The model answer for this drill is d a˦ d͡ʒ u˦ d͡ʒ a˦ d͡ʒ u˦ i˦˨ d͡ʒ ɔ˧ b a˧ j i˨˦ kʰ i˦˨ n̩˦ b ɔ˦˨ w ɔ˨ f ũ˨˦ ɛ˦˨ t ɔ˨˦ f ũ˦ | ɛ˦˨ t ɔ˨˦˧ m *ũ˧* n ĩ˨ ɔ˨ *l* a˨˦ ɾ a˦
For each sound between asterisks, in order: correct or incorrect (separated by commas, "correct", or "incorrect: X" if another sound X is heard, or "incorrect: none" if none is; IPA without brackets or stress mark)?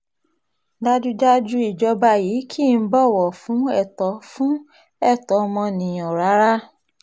incorrect: ɔ̃˧, incorrect: ɾ